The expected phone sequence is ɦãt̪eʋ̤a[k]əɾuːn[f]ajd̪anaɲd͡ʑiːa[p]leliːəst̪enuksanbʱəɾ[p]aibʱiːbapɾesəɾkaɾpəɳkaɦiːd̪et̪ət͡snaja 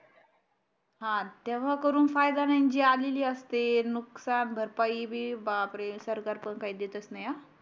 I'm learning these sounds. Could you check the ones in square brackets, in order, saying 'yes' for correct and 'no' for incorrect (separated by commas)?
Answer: yes, yes, no, yes